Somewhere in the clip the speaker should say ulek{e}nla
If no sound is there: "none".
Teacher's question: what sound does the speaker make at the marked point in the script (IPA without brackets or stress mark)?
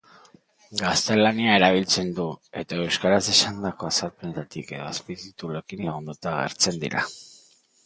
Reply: i